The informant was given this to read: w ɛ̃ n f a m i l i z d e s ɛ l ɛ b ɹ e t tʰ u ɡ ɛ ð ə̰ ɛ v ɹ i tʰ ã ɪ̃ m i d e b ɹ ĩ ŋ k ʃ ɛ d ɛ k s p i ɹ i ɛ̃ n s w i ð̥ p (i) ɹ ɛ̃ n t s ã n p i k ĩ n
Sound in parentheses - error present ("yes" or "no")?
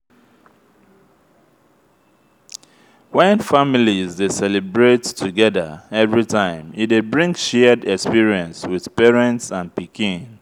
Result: yes